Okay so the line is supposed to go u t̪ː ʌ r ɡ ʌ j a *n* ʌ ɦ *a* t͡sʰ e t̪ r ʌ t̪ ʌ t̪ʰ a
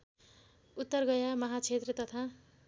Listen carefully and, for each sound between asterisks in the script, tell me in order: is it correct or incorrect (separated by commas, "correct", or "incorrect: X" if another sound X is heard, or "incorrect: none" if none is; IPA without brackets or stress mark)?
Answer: incorrect: m, correct